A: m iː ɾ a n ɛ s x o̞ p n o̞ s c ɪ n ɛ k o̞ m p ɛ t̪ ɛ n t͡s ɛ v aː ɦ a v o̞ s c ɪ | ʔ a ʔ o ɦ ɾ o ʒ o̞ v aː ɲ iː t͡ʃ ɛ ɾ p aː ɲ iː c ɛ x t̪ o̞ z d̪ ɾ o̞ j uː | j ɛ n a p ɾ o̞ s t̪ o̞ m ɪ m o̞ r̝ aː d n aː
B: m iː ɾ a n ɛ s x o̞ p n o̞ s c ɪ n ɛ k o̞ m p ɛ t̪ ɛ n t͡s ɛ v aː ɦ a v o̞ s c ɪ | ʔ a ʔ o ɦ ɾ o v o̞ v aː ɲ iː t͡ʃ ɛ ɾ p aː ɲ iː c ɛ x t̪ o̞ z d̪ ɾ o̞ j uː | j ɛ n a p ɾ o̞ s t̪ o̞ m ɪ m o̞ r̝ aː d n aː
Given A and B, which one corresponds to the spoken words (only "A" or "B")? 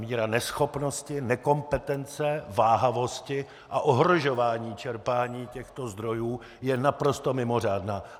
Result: A